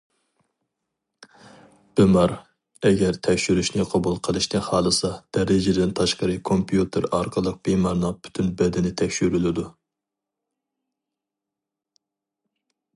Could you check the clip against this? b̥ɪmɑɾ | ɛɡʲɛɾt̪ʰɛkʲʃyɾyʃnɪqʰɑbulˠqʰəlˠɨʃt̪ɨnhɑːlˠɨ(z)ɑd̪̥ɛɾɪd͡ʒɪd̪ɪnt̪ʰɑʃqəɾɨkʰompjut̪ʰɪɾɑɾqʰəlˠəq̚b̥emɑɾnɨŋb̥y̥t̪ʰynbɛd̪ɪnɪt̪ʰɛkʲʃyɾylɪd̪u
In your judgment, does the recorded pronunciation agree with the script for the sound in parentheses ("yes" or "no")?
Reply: no